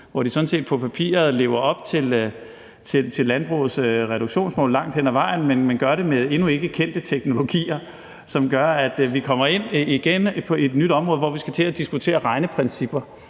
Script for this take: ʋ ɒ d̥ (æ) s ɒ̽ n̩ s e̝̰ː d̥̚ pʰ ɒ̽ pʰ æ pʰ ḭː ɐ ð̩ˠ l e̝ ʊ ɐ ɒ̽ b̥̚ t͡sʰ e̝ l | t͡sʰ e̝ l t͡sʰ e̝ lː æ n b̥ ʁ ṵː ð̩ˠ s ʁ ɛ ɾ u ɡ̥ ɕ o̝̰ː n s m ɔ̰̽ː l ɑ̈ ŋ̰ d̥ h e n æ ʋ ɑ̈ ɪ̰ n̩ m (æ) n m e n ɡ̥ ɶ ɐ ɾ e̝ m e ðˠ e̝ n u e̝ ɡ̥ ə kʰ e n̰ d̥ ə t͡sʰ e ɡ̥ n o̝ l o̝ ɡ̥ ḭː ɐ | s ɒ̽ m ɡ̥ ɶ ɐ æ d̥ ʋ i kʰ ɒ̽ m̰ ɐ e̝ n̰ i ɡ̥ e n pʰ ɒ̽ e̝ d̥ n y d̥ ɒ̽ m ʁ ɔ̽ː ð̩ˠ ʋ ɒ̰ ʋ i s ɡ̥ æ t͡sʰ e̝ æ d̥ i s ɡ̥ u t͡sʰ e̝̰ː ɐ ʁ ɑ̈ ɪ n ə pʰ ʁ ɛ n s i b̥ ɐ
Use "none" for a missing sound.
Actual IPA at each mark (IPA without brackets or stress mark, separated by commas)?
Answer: i, e